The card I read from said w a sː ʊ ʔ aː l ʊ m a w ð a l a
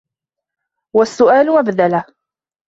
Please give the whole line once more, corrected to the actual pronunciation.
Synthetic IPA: w a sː ʊ ʔ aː l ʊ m a b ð a l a